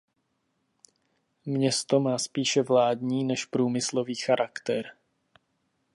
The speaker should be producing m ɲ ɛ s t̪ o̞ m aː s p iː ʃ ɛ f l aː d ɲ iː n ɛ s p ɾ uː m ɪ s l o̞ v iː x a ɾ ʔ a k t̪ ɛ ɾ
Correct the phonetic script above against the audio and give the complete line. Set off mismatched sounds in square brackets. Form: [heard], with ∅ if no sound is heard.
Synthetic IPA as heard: m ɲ ɛ s t̪ o̞ m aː s p iː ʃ ɛ [v] l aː d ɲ iː n ɛ [ʃ] p ɾ uː m ɪ s l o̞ v iː x a ɾ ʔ a k t̪ ɛ ɾ